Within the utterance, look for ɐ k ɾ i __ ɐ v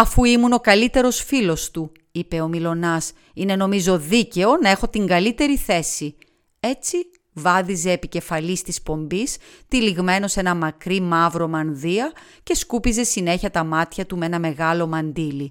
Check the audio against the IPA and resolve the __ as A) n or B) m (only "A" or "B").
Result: B